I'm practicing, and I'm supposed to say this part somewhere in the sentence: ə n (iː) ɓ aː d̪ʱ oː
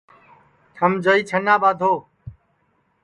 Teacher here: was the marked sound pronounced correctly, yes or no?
no